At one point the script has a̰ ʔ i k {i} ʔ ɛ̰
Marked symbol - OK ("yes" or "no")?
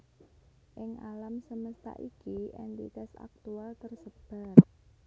yes